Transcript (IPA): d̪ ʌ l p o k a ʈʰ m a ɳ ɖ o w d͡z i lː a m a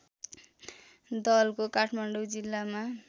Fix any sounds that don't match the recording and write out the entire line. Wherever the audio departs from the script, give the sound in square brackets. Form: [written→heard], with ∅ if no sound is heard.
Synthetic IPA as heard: d̪ ʌ l [p→k] o k a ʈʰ m a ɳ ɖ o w d͡z i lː a m a